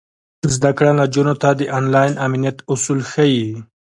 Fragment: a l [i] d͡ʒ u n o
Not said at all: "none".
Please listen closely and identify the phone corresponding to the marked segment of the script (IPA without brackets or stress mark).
a